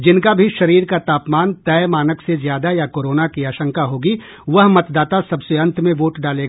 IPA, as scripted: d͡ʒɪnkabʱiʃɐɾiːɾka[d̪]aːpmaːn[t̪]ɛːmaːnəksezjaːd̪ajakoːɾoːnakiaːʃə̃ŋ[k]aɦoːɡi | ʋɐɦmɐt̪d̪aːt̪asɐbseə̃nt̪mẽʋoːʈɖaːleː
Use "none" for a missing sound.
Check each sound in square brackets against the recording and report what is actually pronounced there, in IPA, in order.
t̪, t̪, k

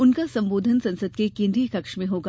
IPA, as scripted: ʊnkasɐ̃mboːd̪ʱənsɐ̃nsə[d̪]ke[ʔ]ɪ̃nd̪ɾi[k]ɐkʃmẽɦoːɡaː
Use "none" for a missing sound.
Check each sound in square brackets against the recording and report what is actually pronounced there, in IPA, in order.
d̪, k, k

